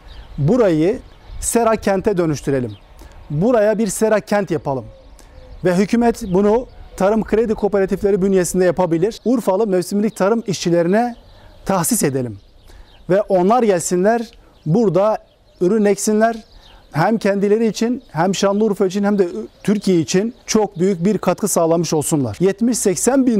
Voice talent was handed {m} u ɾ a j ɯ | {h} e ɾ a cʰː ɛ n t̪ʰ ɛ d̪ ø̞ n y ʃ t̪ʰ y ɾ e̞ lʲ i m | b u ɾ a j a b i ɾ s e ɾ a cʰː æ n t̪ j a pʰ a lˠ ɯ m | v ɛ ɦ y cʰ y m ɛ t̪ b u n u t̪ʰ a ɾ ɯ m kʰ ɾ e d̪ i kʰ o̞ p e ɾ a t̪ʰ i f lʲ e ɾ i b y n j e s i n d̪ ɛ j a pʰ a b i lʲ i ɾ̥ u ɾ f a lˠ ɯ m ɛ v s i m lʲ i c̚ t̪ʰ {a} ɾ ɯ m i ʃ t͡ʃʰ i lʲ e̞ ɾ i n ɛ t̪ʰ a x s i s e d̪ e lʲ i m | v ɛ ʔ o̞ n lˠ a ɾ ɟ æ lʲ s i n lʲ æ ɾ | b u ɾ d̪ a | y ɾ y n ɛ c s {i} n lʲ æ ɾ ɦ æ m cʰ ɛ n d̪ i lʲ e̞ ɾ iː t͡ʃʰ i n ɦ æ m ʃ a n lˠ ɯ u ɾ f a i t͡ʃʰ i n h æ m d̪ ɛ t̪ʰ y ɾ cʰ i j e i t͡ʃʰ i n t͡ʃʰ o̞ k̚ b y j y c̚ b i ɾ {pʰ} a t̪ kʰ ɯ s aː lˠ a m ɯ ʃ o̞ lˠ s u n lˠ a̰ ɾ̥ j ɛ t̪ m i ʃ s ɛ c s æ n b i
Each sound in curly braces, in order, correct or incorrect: incorrect, incorrect, correct, correct, incorrect

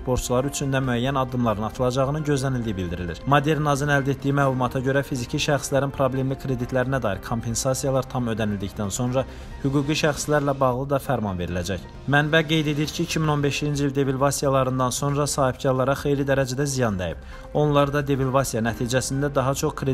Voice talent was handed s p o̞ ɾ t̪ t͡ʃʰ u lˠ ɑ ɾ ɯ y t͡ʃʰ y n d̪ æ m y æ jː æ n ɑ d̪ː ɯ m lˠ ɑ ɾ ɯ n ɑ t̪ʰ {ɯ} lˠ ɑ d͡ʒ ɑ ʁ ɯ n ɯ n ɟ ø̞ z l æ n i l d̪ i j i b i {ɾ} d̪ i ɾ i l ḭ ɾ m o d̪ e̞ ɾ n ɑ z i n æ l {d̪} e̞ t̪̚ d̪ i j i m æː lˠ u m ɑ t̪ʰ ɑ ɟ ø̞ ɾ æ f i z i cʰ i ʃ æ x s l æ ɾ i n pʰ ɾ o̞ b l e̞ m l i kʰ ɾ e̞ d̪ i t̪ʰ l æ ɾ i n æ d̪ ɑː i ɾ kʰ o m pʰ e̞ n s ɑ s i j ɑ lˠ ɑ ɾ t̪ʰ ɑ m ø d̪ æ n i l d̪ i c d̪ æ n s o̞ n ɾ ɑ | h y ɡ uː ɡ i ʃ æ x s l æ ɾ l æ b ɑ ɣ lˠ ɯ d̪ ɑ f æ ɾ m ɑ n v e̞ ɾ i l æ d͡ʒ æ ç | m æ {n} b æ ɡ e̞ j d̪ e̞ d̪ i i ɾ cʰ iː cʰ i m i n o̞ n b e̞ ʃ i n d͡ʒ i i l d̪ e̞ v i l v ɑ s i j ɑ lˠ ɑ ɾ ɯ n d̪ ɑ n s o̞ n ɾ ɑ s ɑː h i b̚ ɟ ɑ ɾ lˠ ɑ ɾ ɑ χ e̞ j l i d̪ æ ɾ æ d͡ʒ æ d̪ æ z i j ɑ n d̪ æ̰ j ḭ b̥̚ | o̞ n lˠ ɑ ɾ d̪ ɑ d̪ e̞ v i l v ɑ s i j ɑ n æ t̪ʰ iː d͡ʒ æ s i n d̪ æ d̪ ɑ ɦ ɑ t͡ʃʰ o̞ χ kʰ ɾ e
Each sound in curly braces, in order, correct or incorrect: correct, incorrect, correct, correct

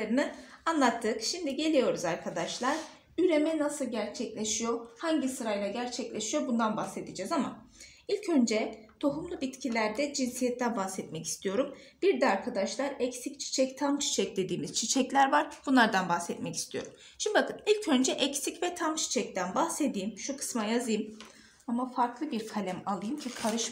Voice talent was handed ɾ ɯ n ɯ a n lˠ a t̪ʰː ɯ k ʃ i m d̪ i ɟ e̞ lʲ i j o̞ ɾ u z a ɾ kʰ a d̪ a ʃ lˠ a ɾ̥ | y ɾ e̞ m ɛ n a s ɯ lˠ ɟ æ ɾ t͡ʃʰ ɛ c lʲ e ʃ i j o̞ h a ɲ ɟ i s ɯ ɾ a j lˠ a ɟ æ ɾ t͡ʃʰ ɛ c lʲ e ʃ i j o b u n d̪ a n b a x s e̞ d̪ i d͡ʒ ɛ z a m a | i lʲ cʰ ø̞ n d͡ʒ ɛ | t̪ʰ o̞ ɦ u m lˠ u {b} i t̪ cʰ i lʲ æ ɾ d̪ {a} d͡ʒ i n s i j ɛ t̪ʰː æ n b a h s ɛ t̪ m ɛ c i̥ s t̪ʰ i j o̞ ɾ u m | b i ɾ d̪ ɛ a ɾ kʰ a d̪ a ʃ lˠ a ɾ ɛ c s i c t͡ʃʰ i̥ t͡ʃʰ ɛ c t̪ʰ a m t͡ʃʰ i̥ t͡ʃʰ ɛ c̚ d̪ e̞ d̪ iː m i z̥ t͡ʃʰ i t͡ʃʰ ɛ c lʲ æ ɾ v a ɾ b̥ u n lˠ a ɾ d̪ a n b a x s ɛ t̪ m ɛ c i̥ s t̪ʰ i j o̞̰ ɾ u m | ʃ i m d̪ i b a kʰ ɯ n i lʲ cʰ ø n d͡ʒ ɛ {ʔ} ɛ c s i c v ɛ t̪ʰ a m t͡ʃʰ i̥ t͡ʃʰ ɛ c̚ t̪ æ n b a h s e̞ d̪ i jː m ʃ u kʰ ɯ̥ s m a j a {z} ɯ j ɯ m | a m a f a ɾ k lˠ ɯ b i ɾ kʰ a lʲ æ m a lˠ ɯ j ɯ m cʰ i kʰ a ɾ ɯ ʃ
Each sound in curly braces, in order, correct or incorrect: correct, incorrect, correct, correct

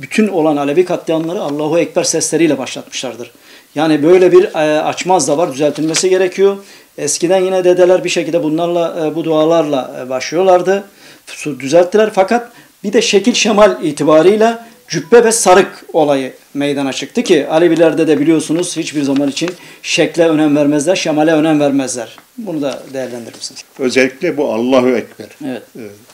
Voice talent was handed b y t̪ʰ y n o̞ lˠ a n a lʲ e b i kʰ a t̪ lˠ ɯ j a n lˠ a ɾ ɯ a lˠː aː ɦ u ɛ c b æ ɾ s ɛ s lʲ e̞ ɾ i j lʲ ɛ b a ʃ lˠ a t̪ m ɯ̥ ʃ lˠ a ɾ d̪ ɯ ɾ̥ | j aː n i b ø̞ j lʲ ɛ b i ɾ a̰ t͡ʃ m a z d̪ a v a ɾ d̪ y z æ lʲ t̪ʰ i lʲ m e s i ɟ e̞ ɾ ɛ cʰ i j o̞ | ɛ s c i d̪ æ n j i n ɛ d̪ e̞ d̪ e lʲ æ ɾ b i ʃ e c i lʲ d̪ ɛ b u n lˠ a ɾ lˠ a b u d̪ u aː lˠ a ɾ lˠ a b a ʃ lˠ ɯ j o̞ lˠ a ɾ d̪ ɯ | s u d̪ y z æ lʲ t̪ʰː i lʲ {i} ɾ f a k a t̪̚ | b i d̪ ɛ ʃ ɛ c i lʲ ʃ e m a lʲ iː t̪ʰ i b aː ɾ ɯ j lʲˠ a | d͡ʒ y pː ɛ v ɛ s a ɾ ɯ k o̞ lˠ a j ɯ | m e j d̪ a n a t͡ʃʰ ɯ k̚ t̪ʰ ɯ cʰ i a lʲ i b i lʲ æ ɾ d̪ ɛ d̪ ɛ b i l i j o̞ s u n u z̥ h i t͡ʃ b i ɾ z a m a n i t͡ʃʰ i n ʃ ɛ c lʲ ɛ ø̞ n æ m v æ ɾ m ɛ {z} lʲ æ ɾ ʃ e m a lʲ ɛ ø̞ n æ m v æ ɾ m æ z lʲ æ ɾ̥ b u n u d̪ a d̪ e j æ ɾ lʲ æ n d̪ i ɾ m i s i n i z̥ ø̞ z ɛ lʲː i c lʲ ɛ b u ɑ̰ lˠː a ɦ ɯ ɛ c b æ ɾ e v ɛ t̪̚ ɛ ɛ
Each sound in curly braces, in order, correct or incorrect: incorrect, correct

